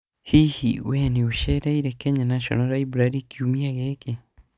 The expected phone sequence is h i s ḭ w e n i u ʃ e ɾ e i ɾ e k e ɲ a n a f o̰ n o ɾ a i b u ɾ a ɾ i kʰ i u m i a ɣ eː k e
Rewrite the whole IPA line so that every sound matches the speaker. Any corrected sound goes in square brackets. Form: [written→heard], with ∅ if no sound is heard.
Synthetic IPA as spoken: h i [s→h] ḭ w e n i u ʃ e ɾ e i ɾ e k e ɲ a n a [f→ʃ] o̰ n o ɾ a i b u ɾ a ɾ i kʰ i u m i a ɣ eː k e

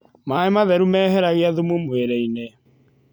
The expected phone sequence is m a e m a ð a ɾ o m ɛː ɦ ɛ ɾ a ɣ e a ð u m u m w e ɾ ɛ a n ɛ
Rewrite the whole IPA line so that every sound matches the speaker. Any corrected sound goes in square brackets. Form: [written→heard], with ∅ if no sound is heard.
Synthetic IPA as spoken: m a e m a ð [a→ɛ] ɾ [o→u] m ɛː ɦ ɛ ɾ a ɣ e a ð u m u m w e ɾ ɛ [a→i] n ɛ

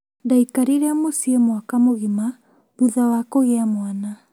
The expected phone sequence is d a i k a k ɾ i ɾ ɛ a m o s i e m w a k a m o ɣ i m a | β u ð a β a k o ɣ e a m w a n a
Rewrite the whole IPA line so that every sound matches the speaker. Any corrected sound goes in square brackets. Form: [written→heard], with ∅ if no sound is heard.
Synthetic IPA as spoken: d a i k a [k→∅] ɾ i ɾ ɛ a m o s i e m w a k a m o ɣ i m a | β u ð a [β→w] a k o ɣ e a m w a n a

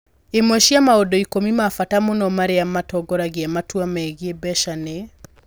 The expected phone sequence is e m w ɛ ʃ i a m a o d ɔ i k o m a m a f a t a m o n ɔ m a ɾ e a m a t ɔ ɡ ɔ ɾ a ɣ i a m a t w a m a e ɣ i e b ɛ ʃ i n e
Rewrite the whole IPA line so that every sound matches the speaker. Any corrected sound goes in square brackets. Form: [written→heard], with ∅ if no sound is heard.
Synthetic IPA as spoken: e m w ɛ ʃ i a m a o d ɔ i k o m [a→i] m a f a t a m o n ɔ m a ɾ e a m a t ɔ ɡ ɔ ɾ a ɣ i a m a t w a m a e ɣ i e b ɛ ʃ [i→a] n e

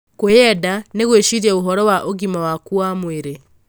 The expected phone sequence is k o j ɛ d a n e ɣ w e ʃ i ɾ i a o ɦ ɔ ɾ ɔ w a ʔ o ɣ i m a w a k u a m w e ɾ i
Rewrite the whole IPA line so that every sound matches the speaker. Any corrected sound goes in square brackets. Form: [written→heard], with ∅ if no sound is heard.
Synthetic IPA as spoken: k o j ɛ d a n e ɣ w e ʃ i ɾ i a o ɦ ɔ ɾ ɔ w a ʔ o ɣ i m a w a k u a m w e ɾ [i→e]

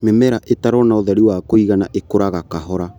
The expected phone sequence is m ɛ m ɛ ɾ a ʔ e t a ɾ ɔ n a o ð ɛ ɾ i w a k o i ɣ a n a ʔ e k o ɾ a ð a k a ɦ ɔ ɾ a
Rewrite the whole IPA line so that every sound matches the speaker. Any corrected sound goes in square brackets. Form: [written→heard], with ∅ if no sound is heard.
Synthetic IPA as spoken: m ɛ m ɛ ɾ a ʔ e t a ɾ ɔ n a o ð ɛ ɾ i w a k o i ɣ a n a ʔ e k o ɾ a [ð→ɣ] a k a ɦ ɔ ɾ a

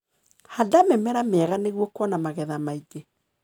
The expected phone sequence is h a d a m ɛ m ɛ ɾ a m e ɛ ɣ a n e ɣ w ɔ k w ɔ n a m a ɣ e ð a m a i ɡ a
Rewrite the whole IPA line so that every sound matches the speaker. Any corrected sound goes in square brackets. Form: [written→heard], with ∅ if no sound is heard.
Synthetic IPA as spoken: h a d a m ɛ m ɛ ɾ a m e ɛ ɣ a n e ɣ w ɔ k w ɔ n a m a ɣ [e→ɛ] ð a m a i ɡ [a→e]

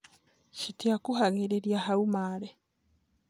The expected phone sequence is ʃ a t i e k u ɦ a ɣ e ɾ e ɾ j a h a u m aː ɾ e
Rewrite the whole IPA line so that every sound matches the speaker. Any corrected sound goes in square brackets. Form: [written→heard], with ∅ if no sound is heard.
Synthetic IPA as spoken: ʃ [a→i] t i [e→a] k u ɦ a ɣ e ɾ e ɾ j a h a u m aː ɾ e

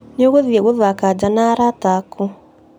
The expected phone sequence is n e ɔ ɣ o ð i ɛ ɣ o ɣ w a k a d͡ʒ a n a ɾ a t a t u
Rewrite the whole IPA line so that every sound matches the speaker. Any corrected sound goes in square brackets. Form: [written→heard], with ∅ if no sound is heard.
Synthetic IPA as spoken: n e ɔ ɣ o ð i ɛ ɣ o [ɣ→ð] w a k a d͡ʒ a n a ɾ a t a [t→k] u

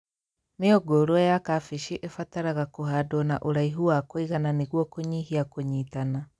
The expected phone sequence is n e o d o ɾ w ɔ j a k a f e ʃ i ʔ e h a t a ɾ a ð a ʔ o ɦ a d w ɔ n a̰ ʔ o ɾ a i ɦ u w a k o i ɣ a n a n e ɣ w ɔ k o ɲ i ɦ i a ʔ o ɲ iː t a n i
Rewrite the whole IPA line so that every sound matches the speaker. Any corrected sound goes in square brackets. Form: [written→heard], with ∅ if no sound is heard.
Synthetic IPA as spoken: n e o [d→ɡ] o ɾ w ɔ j a k a f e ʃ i ʔ e [h→f] a t a ɾ a [ð→ɣ] a [ʔ→k] o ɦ a d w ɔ n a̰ ʔ o ɾ a i ɦ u w a k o i ɣ a n a n e ɣ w ɔ k o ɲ i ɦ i a [ʔ→k] o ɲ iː t a n [i→a]

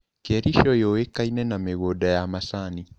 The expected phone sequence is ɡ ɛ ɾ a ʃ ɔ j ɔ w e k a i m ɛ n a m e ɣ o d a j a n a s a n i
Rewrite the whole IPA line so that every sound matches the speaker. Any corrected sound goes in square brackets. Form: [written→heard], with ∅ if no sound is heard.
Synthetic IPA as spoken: [ɡ→k] ɛ ɾ [a→i] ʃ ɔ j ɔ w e k a i [m→n] ɛ n a m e ɣ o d a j a [n→m] a s a n i

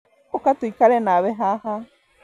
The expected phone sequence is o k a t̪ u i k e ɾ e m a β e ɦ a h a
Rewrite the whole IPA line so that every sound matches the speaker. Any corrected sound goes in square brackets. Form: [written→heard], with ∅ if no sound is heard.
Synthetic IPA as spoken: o k a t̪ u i k [e→a] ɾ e [m→n] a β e ɦ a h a

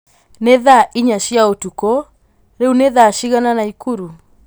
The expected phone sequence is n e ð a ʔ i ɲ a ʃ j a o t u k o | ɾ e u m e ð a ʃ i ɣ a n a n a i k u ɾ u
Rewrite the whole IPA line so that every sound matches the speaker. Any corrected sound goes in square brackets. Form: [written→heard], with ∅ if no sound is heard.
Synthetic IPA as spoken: n e ð a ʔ i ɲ a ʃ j a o t u k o | ɾ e u [m→n] e ð a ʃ i ɣ a n a n a i k u ɾ u

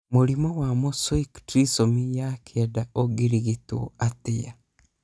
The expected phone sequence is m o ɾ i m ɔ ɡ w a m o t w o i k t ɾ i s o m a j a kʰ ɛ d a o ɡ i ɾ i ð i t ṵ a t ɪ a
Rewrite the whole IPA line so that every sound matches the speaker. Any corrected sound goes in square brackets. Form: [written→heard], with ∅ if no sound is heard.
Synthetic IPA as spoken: m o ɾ i m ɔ [ɡ→∅] w a m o [t→s] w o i k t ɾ i s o m [a→i] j a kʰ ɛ d a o ɡ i ɾ i [ð→ɣ] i t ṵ a t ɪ a

